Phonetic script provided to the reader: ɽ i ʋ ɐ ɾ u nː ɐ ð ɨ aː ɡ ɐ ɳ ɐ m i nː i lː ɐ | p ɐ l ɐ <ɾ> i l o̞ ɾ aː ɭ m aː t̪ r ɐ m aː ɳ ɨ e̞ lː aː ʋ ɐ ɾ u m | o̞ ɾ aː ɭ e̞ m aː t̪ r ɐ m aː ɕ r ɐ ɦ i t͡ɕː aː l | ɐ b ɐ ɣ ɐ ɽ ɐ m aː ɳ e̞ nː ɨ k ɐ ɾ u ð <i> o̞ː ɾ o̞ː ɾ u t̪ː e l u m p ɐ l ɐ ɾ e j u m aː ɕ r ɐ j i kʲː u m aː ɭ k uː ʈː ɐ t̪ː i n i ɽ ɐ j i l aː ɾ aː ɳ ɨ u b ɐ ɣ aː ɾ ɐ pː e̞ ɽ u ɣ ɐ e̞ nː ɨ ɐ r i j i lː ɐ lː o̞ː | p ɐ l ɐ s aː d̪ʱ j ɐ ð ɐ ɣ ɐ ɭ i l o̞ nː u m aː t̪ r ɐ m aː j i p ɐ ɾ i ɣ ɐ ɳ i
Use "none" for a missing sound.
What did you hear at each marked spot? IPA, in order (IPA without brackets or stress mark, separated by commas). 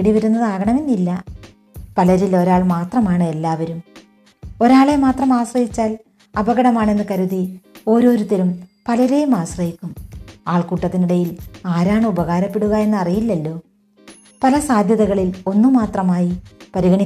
ɾ, i